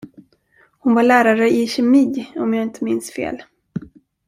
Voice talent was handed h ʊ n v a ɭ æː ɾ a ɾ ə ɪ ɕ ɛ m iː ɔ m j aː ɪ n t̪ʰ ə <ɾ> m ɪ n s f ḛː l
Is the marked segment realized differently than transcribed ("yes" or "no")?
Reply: yes